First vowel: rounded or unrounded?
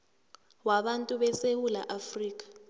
unrounded